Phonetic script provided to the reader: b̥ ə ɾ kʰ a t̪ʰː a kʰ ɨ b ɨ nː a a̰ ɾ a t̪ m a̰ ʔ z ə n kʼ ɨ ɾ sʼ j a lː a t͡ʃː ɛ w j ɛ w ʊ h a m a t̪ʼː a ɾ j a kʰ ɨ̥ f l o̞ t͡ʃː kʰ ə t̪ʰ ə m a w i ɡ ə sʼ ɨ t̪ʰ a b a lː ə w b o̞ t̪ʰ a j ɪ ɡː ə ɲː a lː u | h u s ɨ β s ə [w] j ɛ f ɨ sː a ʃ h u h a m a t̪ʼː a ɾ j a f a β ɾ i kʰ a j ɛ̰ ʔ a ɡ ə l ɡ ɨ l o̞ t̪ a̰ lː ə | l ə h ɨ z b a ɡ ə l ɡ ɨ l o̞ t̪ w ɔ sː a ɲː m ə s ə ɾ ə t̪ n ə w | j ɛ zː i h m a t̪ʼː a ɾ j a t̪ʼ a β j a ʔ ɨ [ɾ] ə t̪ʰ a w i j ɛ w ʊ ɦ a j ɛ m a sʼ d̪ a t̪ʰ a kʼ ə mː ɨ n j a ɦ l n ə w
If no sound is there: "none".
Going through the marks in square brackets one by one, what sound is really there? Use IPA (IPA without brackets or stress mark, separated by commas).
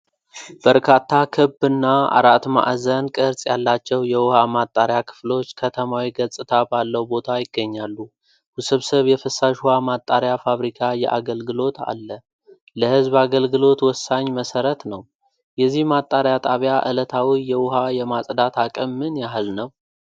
β, l